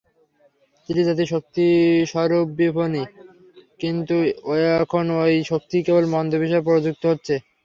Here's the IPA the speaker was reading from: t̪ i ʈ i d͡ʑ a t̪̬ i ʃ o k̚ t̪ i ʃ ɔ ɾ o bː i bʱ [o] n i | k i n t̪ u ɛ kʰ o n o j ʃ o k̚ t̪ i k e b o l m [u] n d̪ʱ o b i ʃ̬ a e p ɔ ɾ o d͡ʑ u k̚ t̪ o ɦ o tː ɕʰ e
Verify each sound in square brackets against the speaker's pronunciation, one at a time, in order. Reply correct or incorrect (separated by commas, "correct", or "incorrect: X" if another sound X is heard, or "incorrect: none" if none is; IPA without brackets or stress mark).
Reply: correct, incorrect: ɔ